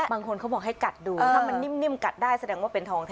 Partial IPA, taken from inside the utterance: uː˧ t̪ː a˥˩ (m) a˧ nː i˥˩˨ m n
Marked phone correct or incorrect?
correct